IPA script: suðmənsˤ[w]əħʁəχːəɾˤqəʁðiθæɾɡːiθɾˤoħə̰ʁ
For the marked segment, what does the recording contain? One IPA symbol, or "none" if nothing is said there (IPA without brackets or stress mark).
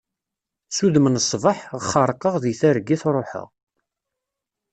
v